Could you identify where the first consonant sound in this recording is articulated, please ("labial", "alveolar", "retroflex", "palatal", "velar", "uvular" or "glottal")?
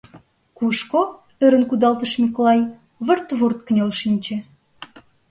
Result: velar